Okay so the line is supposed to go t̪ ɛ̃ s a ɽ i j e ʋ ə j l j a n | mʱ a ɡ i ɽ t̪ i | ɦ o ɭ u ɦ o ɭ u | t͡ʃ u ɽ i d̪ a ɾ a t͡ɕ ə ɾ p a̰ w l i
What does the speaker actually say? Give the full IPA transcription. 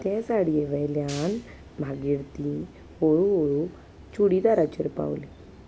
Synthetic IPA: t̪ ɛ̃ s a ɽ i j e ʋ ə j l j a n | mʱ a ɡ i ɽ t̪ i | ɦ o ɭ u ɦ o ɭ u | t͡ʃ u ɽ i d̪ a ɾ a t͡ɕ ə ɾ p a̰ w l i